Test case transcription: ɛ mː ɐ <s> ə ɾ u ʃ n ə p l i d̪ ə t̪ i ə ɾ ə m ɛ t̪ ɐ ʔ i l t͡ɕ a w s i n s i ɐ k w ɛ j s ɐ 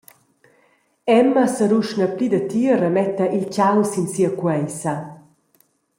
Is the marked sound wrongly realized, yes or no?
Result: no